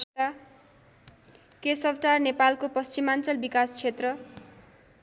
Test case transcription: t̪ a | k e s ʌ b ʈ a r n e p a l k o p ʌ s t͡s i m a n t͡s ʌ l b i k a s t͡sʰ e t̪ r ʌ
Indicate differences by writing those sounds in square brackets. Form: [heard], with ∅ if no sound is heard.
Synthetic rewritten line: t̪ a | k e s ʌ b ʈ a r n e p a l k o p ʌ s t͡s i m a n t͡s ʌ l b i k a s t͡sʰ e t̪ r ʌ